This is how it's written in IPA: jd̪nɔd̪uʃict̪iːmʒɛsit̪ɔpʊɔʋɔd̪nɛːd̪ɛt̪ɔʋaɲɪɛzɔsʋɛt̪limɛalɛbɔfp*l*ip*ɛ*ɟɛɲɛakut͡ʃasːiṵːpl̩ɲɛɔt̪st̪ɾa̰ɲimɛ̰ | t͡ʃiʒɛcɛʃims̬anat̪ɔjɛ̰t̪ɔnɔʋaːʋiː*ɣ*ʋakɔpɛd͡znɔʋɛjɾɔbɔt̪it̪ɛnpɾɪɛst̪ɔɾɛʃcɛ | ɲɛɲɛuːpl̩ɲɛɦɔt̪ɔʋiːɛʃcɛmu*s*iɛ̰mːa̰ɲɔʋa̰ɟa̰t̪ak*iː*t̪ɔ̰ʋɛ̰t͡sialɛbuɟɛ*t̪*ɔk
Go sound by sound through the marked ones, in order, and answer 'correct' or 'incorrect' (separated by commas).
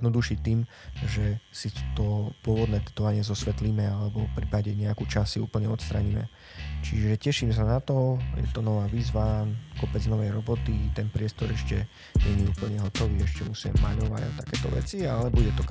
incorrect, incorrect, incorrect, correct, incorrect, correct